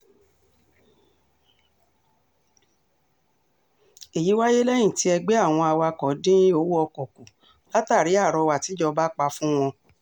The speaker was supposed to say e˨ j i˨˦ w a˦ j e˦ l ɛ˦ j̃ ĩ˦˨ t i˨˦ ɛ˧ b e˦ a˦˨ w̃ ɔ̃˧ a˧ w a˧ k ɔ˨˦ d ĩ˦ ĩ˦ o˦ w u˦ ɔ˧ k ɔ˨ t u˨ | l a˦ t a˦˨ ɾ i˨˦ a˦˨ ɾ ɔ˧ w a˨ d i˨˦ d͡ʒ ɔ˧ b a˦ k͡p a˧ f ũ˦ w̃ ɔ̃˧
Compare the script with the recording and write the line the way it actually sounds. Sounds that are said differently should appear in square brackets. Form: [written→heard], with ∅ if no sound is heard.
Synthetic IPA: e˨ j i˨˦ w a˦ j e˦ l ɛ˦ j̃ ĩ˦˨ t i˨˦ ɛ˧ [b→ɡ͡b] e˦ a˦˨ w̃ ɔ̃˧ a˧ w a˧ k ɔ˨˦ d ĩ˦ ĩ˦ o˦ w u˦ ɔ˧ k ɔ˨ [t→k] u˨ | l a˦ t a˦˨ ɾ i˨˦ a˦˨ ɾ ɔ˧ w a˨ [d→t] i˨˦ d͡ʒ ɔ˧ b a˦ k͡p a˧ f ũ˦ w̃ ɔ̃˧